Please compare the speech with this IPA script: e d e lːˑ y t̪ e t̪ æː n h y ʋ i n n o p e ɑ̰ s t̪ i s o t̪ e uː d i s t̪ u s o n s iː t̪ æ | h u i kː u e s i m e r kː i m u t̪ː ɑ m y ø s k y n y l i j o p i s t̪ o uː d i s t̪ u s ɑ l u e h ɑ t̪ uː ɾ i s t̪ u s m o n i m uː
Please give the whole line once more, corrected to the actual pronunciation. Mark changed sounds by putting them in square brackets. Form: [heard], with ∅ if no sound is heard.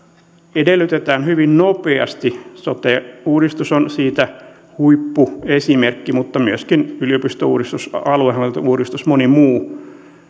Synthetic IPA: e d e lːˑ y t̪ e t̪ æː n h y ʋ i n n o p e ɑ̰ s t̪ i s o t̪ e uː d i s t̪ u s o n s iː t̪ æ | h u i [pː] u e s i m e r kː i m u t̪ː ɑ m y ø s k [i] n y l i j o p i s t̪ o uː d i s t̪ u s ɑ l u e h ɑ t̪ uː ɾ i s t̪ u s m o n i m uː